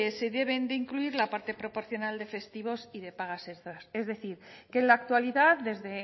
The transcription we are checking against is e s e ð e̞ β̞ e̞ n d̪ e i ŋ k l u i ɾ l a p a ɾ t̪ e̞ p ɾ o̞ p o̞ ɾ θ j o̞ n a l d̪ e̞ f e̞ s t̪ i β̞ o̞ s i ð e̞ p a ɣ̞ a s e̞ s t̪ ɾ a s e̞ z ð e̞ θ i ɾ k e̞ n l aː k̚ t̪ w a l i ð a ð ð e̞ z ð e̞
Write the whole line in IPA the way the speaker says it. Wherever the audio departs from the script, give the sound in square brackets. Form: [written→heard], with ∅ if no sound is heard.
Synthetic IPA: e s e ð e̞ β̞ e̞ n d̪ e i ŋ k l u i ɾ l a p a ɾ t̪ e̞ p ɾ o̞ p o̞ ɾ θ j o̞ n a l d̪ e̞ f e̞ s t̪ i β̞ o̞ s i ð e̞ p a ɣ̞ a s e̞ s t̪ ɾ a s e̞ z ð e̞ θ i ɾ k e̞ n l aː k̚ t̪ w a l i ð a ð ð e̞ z ð e̞